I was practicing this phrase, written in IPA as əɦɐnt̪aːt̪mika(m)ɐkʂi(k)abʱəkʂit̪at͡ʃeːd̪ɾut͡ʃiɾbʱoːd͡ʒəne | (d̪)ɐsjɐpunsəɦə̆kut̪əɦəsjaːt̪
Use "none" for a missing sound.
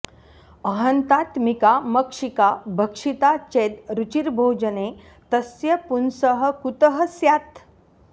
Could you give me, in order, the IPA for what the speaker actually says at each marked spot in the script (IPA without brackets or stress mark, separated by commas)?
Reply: m, k, t̪